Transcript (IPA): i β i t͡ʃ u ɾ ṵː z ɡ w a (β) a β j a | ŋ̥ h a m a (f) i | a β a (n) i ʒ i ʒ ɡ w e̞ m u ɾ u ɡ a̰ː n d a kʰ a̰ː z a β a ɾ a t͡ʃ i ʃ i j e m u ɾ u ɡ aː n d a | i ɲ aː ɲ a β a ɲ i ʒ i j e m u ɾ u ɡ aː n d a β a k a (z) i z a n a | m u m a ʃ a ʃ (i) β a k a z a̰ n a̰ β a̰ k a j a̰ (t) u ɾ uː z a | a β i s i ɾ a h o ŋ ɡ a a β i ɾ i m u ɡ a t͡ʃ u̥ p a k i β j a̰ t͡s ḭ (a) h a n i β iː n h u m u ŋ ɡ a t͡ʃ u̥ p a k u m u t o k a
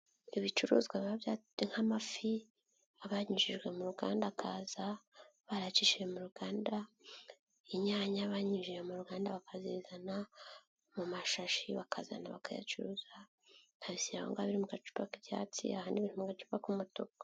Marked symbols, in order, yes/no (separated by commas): yes, yes, no, yes, yes, no, yes